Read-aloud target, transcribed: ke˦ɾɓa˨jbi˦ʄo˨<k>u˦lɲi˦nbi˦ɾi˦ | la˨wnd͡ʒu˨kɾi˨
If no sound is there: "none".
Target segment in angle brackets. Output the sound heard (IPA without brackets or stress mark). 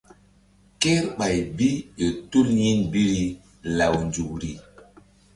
t